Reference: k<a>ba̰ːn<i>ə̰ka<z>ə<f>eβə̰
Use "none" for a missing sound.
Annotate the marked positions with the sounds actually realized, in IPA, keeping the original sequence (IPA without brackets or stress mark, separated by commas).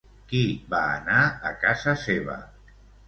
i, a, z, s